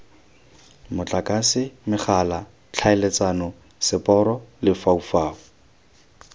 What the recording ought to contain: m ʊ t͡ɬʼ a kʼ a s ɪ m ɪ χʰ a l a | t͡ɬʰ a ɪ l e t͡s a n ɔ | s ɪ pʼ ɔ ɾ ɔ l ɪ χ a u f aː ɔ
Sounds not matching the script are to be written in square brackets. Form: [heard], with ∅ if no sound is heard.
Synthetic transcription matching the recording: m ʊ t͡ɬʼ a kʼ a s ɪ m ɪ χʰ a l a | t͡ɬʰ a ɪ l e t͡s a n ɔ | s ɪ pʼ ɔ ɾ ɔ l ɪ [f] a u f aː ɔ

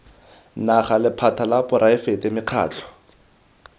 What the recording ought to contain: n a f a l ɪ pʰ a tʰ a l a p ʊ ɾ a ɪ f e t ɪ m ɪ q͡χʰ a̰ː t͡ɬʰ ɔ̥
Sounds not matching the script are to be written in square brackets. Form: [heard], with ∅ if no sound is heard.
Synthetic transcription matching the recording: n a [χ] a l ɪ pʰ a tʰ a l a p ʊ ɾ a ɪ f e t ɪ m ɪ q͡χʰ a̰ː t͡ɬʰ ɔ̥

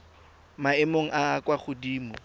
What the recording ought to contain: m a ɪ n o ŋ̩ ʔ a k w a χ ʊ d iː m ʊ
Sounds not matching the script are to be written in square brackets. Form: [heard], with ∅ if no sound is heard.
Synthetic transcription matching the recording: m a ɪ [m] o ŋ̩ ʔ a k w a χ ʊ d iː m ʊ

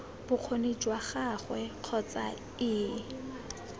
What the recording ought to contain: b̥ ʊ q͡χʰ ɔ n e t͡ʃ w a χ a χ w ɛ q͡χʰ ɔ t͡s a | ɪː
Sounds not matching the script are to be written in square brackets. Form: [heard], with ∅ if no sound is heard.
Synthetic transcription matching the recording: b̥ ʊ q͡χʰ [o] n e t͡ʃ w a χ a χ w ɛ q͡χʰ ɔ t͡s a | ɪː

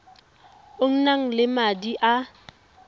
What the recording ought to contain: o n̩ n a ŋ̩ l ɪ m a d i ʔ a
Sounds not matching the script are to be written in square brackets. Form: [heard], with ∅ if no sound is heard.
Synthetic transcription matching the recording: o [ŋ̩] n a ŋ̩ l ɪ m a d i ʔ a

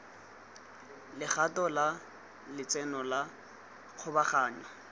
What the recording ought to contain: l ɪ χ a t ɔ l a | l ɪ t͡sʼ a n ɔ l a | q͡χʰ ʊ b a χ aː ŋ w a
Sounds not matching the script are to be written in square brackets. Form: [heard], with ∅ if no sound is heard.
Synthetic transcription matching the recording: l ɪ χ a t ɔ l a | l ɪ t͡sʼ [ɛ] n ɔ l a | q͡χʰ ʊ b a χ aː [ɲ] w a

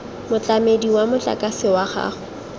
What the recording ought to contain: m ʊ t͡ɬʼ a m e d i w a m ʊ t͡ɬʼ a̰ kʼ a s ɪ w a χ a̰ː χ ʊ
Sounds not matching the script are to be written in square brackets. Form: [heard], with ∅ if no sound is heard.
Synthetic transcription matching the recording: m ʊ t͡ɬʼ a m e d i w a m ʊ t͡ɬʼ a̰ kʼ a s ɪ w a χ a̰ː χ ʊ

